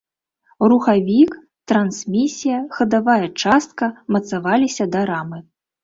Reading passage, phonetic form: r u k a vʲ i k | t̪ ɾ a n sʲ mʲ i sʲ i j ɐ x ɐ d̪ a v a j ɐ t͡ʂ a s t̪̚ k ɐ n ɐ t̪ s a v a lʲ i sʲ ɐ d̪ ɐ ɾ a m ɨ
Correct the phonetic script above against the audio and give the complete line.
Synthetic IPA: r u x a vʲ i k | t̪ ɾ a n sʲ mʲ i sʲ i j ɐ x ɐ d̪ a v a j ɐ t͡ʂ a s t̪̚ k ɐ m ɐ t̪ s a v a lʲ i sʲ ɐ d̪ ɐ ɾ a m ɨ

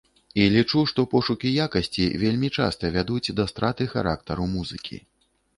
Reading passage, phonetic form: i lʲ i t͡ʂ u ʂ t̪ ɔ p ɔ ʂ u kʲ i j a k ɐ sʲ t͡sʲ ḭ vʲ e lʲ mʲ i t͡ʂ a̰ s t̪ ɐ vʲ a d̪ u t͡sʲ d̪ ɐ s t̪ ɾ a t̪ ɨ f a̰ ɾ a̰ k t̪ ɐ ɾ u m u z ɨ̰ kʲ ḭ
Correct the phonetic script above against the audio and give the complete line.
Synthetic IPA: i lʲ i t͡ʂ u ʂ t̪ ɔ p ɔ ʂ u kʲ i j a k ɐ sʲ t͡sʲ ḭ vʲ e lʲ mʲ i t͡ʂ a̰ s t̪ ɐ vʲ a d̪ u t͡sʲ d̪ ɐ s t̪ ɾ a t̪ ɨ x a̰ ɾ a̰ k t̪ ɐ ɾ u m u z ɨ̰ kʲ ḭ

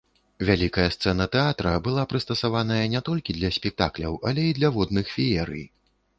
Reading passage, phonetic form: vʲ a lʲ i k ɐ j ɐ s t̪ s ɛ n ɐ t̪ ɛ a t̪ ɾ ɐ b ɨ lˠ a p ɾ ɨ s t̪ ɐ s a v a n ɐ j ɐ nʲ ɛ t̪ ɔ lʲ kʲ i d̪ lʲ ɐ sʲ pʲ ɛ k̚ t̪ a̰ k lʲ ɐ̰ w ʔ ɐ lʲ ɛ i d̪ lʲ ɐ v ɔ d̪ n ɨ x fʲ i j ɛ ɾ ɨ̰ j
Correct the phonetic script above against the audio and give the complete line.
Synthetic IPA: vʲ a lʲ i k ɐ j ɐ s t̪ s ɛ n ɐ t̪ ɛ a t̪ ɾ ɐ b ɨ lˠ a p ɾ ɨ s t̪ ɐ s a v a n ɐ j ɐ nʲ ɛ t̪ ɔ lʲ kʲ i d̪ lʲ ɐ sʲ pʲ ɛ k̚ t̪ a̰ k lʲ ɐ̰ w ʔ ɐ lʲ ɛ i d̪ lʲ ɐ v ɔ d̪ n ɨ x fʲ i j ɛ ɾ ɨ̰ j

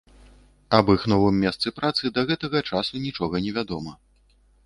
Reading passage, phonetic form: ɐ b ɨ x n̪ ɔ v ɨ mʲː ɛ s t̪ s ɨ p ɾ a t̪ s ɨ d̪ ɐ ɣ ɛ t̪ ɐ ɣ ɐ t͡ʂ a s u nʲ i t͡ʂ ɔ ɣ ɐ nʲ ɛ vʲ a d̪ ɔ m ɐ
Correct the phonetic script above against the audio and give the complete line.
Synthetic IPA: ɐ b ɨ x n̪ ɔ v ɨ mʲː ɛ s t̪ s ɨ p ɾ a t̪ s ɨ d̪ ɐ ɣ ɛ t̪ ɐ ɣ ɐ t͡ʂ a s u nʲ i t͡ʂ ɔ ɣ ɐ nʲ ɛ vʲ a d̪ ɔ m ɐ

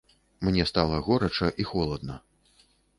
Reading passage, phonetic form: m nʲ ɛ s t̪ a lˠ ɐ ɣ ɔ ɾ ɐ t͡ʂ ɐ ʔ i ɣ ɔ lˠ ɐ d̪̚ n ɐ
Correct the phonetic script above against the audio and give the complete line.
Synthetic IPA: m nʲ ɛ s t̪ a lˠ ɐ ɣ ɔ ɾ ɐ t͡ʂ ɐ ʔ i x ɔ lˠ ɐ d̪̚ n ɐ

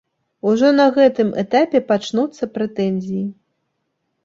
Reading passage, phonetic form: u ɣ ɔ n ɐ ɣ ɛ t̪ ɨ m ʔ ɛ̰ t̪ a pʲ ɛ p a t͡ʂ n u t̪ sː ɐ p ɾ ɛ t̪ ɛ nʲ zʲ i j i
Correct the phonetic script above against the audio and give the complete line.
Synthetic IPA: u ʐ ɔ n ɐ ɣ ɛ t̪ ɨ m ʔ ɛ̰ t̪ a pʲ ɛ p a t͡ʂ n u t̪ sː ɐ p ɾ ɛ t̪ ɛ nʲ zʲ i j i

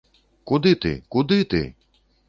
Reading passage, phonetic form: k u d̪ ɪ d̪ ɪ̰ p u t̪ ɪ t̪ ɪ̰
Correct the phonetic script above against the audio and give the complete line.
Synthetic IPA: k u d̪ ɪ t̪ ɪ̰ k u d̪ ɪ t̪ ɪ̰

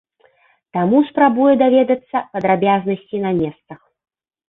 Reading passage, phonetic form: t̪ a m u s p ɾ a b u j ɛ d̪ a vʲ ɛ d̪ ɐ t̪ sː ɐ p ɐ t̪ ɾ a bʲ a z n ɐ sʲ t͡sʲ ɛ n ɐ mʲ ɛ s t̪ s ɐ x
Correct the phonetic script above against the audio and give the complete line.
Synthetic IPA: t̪ a m u s p ɾ a b u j ɛ d̪ a vʲ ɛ d̪ ɐ t̪ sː ɐ p ɐ d̪ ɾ a bʲ a z n ɐ sʲ t͡sʲ i n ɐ mʲ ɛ s t̪ s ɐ x

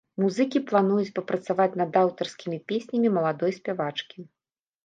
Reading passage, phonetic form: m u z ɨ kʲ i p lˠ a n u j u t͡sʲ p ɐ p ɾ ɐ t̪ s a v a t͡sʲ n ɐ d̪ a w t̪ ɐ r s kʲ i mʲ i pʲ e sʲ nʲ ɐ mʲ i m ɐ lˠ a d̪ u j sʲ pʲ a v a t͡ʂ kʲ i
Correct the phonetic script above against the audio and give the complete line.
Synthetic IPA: m u z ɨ kʲ i p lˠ a n u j u t͡sʲ p ɐ p ɾ ɐ t̪ s a v a t͡sʲ n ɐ d̪ a w t̪ ɐ r s kʲ i mʲ i pʲ e sʲ nʲ ɐ mʲ i m ɐ lˠ a d̪ ɔ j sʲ pʲ a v a t͡ʂ kʲ i

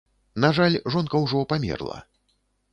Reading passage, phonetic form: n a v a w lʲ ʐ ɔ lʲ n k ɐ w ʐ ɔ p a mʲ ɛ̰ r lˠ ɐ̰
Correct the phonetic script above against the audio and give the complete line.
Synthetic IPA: n a ʐ a lʲ ʐ ɔ n k ɐ w ʐ ɔ p a mʲ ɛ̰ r lˠ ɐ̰

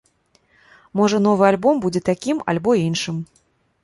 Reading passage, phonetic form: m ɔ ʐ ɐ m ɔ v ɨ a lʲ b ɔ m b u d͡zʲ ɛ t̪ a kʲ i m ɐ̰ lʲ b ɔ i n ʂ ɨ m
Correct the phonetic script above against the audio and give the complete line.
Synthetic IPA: m ɔ ʐ ɐ n ɔ v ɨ a lʲ b ɔ m b u d͡zʲ ɛ t̪ a kʲ i m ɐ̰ lʲ b ɔ i n ʂ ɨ m

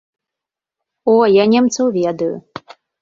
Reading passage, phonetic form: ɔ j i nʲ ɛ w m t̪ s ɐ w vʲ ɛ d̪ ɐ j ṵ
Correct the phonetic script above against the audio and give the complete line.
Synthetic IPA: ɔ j a nʲ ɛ m t̪ s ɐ w vʲ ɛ d̪ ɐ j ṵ

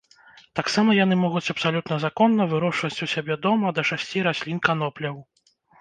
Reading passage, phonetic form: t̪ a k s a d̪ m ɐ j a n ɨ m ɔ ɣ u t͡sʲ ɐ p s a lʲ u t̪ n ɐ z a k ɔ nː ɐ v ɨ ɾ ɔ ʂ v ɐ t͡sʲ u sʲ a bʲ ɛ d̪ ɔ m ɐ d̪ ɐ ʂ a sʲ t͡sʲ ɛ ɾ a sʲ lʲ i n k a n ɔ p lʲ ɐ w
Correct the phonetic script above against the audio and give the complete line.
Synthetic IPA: t̪ a k s a m ɐ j a n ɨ m ɔ ɣ u t͡sʲ ɐ p s a lʲ u t̪ n ɐ z a k ɔ nː ɐ v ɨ ɾ ɔ ʂ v ɐ t͡sʲ u sʲ a bʲ ɛ d̪ ɔ m ɐ d̪ ɐ ʂ a sʲ t͡sʲ i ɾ a sʲ lʲ i n k a n ɔ p lʲ ɐ w

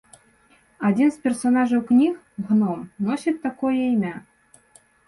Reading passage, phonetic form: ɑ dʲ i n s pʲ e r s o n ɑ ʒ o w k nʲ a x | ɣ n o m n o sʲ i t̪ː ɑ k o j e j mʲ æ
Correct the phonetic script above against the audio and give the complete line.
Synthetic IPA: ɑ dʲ i n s pʲ e r s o n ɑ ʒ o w k nʲ i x | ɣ n o m n o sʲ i t̪ː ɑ k o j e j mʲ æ

